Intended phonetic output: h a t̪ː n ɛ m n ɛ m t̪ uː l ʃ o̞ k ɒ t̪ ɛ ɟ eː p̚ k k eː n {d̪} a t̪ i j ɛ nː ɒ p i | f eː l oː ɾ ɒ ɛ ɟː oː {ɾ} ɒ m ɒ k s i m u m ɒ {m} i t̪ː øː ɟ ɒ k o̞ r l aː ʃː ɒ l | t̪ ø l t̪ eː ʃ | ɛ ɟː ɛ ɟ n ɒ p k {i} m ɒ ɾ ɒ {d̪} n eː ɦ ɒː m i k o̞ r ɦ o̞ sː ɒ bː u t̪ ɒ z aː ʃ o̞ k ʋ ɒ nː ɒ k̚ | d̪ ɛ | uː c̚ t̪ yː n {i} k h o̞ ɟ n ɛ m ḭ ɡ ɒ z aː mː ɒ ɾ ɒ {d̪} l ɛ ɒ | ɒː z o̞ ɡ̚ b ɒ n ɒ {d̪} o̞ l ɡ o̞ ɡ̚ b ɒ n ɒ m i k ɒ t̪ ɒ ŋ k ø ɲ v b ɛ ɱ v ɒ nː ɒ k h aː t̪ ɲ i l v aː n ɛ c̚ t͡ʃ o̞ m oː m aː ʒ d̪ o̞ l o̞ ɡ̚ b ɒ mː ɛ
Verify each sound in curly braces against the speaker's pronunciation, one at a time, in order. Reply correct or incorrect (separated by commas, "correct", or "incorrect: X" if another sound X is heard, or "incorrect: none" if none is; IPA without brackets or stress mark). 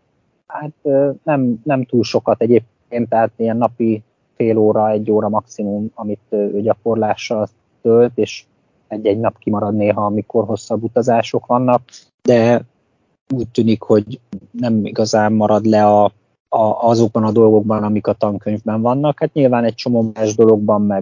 incorrect: t̪, correct, correct, correct, correct, correct, correct, correct